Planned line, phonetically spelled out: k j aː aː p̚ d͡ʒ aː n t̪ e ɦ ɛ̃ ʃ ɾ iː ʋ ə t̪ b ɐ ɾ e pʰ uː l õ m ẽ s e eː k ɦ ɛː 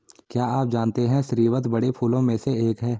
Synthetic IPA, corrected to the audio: k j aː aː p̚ d͡ʒ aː n t̪ e ɦ ɛ̃ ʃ ɾ iː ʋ ə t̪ b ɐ ɽ e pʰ uː l õ m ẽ s e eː k ɦ ɛː